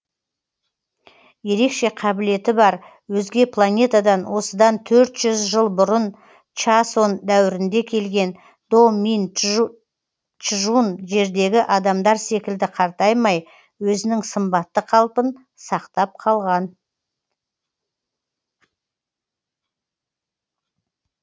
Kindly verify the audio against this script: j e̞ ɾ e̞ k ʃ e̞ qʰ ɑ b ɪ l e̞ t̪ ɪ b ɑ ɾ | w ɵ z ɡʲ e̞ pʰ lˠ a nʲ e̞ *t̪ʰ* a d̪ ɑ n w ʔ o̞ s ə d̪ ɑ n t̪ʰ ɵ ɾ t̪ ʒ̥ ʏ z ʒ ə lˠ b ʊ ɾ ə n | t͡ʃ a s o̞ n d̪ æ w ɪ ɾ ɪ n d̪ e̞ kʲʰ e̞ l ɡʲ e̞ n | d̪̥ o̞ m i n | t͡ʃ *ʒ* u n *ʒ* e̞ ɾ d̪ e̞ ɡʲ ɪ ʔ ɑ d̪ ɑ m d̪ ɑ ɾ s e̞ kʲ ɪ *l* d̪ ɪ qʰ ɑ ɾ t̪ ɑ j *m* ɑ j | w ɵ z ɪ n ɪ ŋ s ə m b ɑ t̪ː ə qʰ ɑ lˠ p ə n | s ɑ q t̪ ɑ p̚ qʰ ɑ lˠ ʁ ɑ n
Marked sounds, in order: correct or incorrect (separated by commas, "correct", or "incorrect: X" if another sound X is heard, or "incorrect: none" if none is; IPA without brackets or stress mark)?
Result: incorrect: t̪, correct, correct, correct, correct